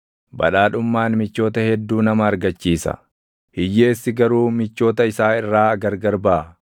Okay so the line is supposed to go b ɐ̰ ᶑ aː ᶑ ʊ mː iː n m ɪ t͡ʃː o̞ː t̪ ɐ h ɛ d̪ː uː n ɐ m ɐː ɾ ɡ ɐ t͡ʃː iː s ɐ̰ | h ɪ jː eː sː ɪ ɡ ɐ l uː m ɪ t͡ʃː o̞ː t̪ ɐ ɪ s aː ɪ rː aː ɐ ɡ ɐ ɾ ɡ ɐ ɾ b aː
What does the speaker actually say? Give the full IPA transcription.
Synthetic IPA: b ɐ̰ ᶑ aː ᶑ ʊ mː aː n m ɪ t͡ʃː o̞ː t̪ ɐ h ɛ d̪ː uː n ɐ m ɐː ɾ ɡ ɐ t͡ʃː iː s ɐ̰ | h ɪ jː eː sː ɪ ɡ ɐ ɾ uː m ɪ t͡ʃː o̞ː t̪ ɐ ɪ s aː ɪ rː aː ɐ ɡ ɐ ɾ ɡ ɐ ɾ b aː

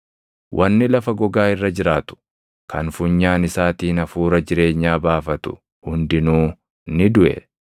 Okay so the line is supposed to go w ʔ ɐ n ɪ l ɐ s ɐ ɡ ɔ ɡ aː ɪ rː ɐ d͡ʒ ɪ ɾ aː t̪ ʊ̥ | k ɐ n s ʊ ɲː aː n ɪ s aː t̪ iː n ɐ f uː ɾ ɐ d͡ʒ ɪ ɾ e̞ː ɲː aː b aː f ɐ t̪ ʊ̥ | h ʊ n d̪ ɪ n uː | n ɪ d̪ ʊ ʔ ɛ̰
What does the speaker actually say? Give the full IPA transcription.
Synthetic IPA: w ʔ ɐ nː ɪ l ɐ f ɐ ɡ ɔ ɡ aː ɪ rː ɐ d͡ʒ ɪ ɾ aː t̪ ʊ̥ | k ɐ n f ʊ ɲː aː n ɪ s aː t̪ iː n ɐ f uː ɾ ɐ d͡ʒ ɪ ɾ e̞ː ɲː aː b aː f ɐ t̪ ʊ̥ | h ʊ n d̪ ɪ n uː | n ɪ d̪ ʊ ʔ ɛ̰

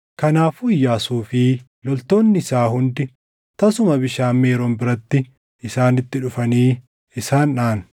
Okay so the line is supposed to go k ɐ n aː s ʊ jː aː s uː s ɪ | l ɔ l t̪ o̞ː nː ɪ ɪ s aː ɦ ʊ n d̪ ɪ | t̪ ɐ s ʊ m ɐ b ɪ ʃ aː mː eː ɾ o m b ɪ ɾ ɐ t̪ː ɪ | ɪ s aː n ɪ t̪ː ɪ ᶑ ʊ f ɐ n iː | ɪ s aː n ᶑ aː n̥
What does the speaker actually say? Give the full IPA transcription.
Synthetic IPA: k ɐ n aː f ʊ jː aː s uː f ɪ | l ɔ l t̪ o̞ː nː ɪ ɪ s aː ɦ ʊ n d̪ ɪ | t̪ ɐ s ʊ m ɐ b ɪ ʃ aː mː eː ɾ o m b ɪ ɾ ɐ t̪ː ɪ | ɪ s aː n ɪ t̪ː ɪ ᶑ ʊ f ɐ n iː | ɪ s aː n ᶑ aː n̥

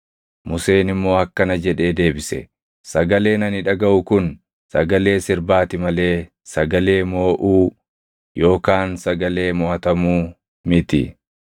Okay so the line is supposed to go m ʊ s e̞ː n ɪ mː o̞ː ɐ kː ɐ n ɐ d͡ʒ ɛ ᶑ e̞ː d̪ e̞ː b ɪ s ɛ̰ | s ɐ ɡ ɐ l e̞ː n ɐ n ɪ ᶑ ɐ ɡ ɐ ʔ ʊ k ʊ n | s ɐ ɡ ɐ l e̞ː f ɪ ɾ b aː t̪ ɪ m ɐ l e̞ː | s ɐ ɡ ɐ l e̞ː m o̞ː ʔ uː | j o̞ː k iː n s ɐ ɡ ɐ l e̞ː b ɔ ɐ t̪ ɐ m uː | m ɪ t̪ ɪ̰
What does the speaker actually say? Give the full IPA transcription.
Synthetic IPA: m ʊ s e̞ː n ɪ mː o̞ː ɐ kː ɐ n ɐ d͡ʒ ɛ ᶑ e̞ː d̪ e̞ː b ɪ s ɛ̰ | s ɐ ɡ ɐ l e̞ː n ɐ n ɪ ᶑ ɐ ɡ ɐ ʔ ʊ k ʊ n | s ɐ ɡ ɐ l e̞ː s ɪ ɾ b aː t̪ ɪ m ɐ l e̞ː | s ɐ ɡ ɐ l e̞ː m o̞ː ʔ uː | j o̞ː k aː n s ɐ ɡ ɐ l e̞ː m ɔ ɐ t̪ ɐ m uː | m ɪ t̪ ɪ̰

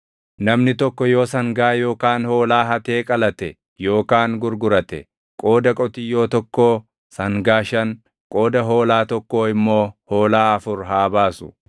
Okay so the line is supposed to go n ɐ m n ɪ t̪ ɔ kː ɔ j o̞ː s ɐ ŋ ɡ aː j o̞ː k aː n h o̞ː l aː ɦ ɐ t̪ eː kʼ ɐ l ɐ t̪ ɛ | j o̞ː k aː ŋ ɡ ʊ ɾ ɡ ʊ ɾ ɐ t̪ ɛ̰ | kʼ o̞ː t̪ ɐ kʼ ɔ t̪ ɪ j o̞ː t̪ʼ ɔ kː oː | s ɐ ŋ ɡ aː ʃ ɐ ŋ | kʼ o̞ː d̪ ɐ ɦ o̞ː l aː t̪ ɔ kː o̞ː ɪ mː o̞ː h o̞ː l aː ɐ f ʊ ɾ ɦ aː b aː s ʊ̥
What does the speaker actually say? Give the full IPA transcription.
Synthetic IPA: n ɐ m n ɪ t̪ ɔ kː ɔ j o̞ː s ɐ ŋ ɡ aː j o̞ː k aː n h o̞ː l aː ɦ ɐ t̪ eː kʼ ɐ l ɐ t̪ ɛ | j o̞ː k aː ŋ ɡ ʊ ɾ ɡ ʊ ɾ ɐ t̪ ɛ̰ | kʼ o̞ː d̪ ɐ kʼ ɔ t̪ ɪ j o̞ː t̪ ɔ kː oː | s ɐ ŋ ɡ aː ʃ ɐ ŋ | kʼ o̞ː d̪ ɐ ɦ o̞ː l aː t̪ ɔ kː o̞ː ɪ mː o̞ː h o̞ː l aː ɐ f ʊ ɾ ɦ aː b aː s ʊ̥

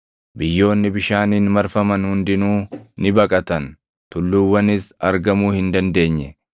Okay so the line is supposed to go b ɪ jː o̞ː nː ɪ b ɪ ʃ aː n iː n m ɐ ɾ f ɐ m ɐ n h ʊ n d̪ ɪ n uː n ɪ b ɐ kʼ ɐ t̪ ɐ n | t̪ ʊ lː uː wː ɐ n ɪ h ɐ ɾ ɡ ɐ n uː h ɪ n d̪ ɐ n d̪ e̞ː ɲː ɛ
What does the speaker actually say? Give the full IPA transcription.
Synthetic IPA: b ɪ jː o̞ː nː ɪ b ɪ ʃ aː n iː n m ɐ ɾ f ɐ m ɐ n h ʊ n d̪ ɪ n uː n ɪ b ɐ kʼ ɐ t̪ ɐ n | t̪ ʊ lː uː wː ɐ n ɪ s ɐ ɾ ɡ ɐ m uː h ɪ n d̪ ɐ n d̪ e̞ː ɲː ɛ

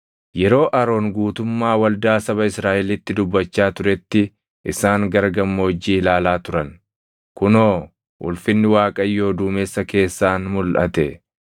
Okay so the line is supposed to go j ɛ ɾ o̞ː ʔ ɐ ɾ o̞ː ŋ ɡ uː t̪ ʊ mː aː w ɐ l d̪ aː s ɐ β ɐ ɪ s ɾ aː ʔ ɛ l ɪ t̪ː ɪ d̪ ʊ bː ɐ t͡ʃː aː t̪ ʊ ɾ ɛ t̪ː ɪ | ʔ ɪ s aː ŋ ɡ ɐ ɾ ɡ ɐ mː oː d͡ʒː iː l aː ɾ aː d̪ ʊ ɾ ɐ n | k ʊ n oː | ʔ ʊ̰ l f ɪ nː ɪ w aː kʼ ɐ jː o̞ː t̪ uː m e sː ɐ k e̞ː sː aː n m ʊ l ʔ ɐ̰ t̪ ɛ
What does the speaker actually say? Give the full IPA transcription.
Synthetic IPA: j ɛ ɾ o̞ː ʔ ɐ ɾ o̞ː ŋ ɡ uː t̪ ʊ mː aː w ɐ l d̪ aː s ɐ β ɐ ɪ s ɾ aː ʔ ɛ l ɪ t̪ː ɪ d̪ ʊ bː ɐ t͡ʃː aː t̪ ʊ ɾ ɛ t̪ː ɪ | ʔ ɪ s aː ŋ ɡ ɐ ɾ ɡ ɐ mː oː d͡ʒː iː l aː l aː t̪ ʊ ɾ ɐ n | k ʊ n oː | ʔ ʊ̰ l f ɪ nː ɪ w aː kʼ ɐ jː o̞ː d̪ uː m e sː ɐ k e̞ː sː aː n m ʊ l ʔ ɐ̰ t̪ ɛ

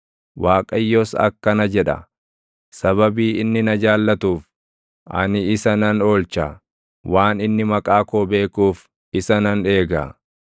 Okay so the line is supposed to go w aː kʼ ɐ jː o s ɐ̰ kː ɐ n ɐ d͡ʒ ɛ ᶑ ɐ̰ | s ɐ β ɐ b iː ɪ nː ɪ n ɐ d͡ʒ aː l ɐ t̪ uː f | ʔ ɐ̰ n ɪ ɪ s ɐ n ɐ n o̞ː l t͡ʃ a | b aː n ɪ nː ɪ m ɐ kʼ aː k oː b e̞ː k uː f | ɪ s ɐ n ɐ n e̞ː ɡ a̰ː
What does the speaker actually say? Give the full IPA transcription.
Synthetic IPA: w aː kʼ ɐ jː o s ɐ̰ kː ɐ n ɐ d͡ʒ ɛ ᶑ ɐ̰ | s ɐ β ɐ b iː ɪ nː ɪ n ɐ d͡ʒ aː lː ɐ t̪ uː f | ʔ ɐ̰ n ɪ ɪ s ɐ n ɐ n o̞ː l t͡ʃ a | w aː n ɪ nː ɪ m ɐ kʼ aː k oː b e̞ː k uː f | ɪ s ɐ n ɐ n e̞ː ɡ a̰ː

